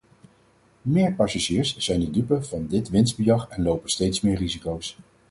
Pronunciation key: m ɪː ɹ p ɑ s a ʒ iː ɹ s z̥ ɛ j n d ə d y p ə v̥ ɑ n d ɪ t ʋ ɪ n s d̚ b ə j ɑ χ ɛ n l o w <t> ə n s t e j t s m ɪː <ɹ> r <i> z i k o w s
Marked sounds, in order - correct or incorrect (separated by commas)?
incorrect, correct, correct